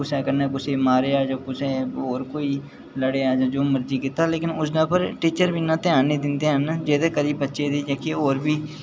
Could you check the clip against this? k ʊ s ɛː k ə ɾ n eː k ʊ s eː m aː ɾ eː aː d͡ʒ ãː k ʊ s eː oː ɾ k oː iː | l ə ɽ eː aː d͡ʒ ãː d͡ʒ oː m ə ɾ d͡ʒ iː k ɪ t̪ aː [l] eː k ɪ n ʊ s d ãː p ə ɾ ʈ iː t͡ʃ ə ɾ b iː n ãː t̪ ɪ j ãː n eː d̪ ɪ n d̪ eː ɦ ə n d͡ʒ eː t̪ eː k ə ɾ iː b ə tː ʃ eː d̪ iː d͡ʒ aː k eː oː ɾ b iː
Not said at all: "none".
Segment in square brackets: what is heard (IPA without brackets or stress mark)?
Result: l